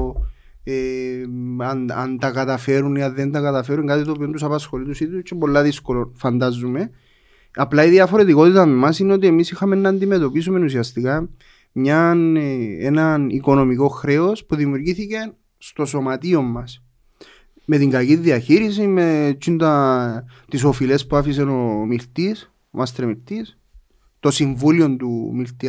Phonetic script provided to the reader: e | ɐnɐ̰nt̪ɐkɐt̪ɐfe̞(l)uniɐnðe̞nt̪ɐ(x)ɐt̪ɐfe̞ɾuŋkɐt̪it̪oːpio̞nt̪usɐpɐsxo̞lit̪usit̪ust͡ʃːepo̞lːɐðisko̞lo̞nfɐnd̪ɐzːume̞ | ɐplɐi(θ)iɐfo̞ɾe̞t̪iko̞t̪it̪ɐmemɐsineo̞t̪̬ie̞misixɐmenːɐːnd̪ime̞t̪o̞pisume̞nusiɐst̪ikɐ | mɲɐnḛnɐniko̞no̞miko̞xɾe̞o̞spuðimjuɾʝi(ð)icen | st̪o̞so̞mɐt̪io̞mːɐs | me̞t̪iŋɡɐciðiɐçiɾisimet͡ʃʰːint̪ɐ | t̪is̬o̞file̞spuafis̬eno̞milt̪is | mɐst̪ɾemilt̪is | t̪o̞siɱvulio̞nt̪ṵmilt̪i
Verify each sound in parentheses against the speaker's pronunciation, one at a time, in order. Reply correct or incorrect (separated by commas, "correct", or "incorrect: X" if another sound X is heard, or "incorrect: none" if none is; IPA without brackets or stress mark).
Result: incorrect: ɾ, incorrect: k, incorrect: ð, incorrect: θ